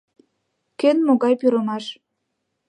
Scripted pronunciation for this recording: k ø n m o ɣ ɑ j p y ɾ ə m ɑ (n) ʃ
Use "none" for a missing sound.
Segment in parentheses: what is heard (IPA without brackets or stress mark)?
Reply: none